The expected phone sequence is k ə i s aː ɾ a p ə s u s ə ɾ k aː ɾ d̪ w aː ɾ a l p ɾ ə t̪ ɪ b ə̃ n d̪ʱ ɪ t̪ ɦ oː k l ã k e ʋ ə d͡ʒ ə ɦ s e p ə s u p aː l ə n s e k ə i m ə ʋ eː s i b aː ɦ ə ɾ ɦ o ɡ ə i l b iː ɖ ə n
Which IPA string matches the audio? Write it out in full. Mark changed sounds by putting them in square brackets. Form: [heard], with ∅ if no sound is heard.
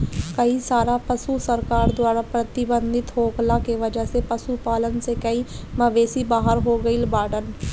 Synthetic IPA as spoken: k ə i s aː ɾ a p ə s u s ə ɾ k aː ɾ d̪ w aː ɾ a [∅] p ɾ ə t̪ ɪ b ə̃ n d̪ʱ ɪ t̪ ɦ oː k l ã k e ʋ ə d͡ʒ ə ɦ s e p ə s u p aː l ə n s e k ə i m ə ʋ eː s i b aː ɦ ə ɾ ɦ o ɡ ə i l b [aː] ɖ ə n